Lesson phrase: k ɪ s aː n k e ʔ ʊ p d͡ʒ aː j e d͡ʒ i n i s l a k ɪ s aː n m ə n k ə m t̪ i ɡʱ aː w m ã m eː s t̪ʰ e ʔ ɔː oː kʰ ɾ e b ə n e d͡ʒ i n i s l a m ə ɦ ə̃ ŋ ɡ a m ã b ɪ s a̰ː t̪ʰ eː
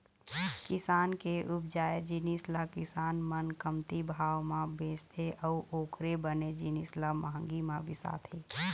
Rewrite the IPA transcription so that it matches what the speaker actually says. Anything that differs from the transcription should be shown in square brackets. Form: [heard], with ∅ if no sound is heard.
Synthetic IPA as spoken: k ɪ s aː n k e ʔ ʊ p d͡ʒ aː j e d͡ʒ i n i s l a k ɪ s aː n m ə n k ə m t̪ i [bʱ] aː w m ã [b] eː s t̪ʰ e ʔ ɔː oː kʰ ɾ e b ə n e d͡ʒ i n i s l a m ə ɦ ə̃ ŋ ɡ [i] m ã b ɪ s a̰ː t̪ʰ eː